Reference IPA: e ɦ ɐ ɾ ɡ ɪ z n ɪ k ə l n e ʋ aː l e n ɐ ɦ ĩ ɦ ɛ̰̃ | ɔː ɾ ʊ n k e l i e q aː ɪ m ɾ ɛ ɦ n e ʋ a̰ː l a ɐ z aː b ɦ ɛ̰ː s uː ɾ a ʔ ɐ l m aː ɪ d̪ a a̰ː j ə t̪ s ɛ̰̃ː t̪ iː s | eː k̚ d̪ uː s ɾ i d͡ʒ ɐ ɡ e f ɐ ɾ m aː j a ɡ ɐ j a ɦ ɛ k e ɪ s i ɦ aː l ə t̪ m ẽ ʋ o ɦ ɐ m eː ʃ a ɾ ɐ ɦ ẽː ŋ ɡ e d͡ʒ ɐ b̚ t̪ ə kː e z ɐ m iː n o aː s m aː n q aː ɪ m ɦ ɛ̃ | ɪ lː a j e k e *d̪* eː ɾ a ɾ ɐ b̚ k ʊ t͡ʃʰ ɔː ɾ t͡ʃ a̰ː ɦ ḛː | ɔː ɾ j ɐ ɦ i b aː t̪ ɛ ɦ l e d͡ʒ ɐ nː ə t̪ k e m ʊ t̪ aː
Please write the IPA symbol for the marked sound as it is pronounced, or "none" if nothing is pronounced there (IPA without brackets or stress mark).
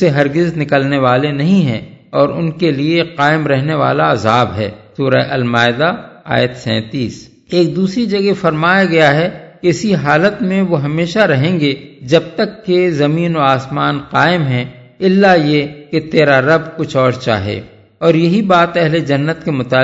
t̪